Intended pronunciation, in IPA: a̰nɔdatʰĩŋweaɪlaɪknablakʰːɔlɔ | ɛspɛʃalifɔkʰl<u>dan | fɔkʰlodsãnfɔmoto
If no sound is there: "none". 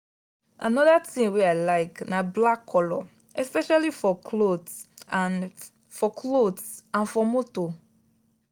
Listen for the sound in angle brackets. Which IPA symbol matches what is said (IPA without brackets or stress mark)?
o